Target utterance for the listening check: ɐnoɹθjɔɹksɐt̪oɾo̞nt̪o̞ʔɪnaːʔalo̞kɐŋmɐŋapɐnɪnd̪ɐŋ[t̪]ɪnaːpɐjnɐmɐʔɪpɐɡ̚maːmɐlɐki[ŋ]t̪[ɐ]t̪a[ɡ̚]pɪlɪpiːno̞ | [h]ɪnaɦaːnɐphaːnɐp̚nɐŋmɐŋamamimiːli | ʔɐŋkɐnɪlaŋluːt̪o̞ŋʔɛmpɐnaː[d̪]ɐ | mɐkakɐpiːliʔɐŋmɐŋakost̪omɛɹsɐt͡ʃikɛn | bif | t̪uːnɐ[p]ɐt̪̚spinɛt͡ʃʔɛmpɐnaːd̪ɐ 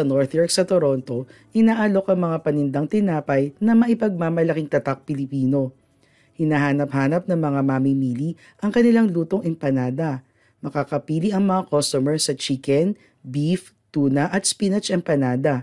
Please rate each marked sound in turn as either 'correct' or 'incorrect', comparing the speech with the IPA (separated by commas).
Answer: correct, correct, correct, incorrect, correct, correct, incorrect